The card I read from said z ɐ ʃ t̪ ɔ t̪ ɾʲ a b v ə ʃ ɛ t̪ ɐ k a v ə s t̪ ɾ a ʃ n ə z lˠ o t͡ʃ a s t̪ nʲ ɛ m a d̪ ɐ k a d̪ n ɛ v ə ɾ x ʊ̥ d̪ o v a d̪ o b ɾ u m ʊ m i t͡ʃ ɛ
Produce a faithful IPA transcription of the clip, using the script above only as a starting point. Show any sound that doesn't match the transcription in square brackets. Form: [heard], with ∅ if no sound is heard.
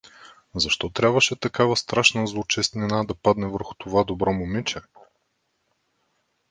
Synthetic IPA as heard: z ɐ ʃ t̪ ɔ t̪ ɾʲ a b v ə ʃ ɛ t̪ ɐ k a v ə s t̪ ɾ a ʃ n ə z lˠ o t͡ʃ [ɛ] s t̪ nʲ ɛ [n] a d̪ ɐ [p] a d̪ n ɛ v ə ɾ x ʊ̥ [t̪] o v a d̪ o b ɾ [ɔ] m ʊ m i t͡ʃ ɛ

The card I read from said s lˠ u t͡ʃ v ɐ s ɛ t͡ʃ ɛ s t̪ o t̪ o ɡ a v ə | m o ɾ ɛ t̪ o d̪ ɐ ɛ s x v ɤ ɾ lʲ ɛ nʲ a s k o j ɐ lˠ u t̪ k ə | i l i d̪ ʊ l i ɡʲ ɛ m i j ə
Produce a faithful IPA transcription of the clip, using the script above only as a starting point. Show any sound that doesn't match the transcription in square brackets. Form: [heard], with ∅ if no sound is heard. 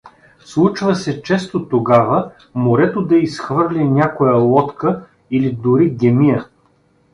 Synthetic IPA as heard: s lˠ u t͡ʃ v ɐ s ɛ t͡ʃ ɛ s t̪ o t̪ o ɡ a v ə | m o ɾ ɛ t̪ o d̪ ɐ [i] s x v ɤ ɾ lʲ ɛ nʲ a [∅] k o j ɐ lˠ [ɔ] t̪ k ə | i l i d̪ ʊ [ɾ] i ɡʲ ɛ m i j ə

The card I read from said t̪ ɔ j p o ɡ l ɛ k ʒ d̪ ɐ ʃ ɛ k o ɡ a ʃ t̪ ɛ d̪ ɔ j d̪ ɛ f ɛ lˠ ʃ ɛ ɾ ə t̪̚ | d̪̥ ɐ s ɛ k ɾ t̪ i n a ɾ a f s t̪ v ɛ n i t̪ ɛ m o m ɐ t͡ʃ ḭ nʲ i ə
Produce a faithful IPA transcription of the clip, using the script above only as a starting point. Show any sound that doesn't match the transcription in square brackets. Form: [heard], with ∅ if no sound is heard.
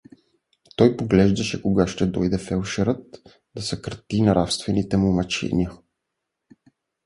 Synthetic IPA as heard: t̪ ɔ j p o ɡ l ɛ [∅] ʒ d̪ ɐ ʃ ɛ k o ɡ a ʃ t̪ ɛ d̪ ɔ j d̪ ɛ f ɛ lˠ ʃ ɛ ɾ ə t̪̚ | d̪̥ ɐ s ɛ k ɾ t̪ i n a ɾ a f s t̪ v ɛ n i t̪ ɛ m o m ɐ t͡ʃ [ɛ̰] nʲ i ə

